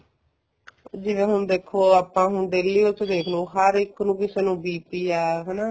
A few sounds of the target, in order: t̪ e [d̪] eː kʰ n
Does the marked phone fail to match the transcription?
no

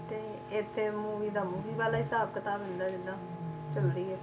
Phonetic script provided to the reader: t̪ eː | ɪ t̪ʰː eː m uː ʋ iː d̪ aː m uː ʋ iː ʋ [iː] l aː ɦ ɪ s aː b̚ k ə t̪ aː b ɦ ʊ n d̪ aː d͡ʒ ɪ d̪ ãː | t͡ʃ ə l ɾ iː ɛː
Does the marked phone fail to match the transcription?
yes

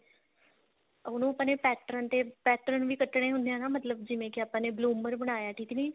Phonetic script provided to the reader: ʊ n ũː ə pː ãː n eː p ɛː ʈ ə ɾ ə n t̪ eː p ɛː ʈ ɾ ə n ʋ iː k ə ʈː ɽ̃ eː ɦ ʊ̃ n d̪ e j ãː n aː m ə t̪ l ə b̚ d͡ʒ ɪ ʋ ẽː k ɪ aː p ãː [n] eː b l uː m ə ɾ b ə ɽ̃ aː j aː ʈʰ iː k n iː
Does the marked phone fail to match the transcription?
no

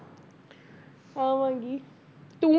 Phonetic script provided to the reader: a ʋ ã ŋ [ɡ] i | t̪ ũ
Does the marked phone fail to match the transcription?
no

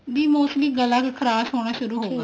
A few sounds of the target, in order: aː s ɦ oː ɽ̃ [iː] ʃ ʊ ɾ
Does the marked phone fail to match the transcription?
yes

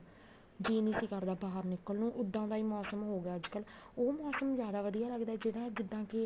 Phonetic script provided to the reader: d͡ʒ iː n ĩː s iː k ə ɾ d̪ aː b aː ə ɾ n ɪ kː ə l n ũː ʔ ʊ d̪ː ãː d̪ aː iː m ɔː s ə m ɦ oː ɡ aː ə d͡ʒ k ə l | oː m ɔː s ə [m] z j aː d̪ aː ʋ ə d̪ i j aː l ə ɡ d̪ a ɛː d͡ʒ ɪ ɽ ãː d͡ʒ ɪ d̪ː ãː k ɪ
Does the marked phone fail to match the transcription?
no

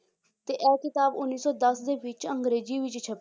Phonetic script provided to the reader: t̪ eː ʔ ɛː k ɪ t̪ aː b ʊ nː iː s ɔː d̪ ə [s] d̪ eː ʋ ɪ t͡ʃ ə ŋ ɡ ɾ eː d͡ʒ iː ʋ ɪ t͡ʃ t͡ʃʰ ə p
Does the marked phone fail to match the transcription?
no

